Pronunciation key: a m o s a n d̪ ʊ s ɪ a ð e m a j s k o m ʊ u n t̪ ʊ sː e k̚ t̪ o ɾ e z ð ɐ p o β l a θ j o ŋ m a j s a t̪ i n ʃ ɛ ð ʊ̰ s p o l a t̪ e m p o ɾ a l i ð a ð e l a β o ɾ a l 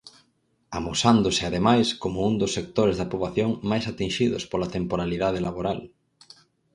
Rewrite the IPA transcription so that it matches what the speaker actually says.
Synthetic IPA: a m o s a n d̪ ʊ s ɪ a ð e m a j s k o m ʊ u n d̪ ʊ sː e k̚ t̪ o ɾ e z ð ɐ p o β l a θ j o ŋ m a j s a t̪ i n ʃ i ð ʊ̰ s p o l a t̪ e m p o ɾ a l i ð a ð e l a β o ɾ a l

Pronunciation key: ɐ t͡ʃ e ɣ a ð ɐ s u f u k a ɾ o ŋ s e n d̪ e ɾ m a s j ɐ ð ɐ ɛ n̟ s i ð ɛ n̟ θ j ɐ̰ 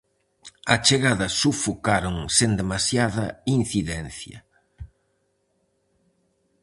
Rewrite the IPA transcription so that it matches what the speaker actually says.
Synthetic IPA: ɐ t͡ʃ e ɣ a ð ɐ s u f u k a ɾ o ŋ s e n d̪ e m a s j a ð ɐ i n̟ θ i ð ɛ n̟ θ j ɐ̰

